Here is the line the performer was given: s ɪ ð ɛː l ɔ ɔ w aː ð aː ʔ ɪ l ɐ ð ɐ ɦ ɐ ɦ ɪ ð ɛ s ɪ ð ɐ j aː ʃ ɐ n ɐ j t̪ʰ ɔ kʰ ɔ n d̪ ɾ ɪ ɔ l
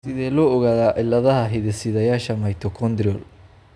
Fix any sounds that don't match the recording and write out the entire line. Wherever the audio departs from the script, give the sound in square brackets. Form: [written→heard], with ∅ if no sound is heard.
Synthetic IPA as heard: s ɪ ð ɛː l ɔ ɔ [w→ɣ] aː ð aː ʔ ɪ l ɐ ð ɐ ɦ ɐ ɦ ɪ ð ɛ s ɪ ð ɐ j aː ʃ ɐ [n→m] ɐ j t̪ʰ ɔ kʰ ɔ n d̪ ɾ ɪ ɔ l